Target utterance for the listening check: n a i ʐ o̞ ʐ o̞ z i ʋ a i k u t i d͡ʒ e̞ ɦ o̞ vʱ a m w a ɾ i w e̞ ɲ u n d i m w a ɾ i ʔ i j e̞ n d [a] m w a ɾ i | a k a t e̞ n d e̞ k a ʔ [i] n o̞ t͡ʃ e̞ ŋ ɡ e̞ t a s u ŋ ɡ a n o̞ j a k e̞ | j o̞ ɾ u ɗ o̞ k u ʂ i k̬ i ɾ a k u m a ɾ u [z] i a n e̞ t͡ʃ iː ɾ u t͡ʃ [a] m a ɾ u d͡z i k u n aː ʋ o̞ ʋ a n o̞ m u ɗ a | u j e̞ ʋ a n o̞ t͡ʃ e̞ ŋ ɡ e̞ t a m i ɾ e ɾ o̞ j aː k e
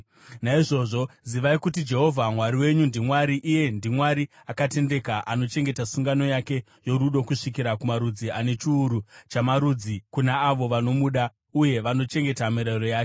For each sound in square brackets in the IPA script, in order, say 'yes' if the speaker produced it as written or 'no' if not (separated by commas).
no, no, no, yes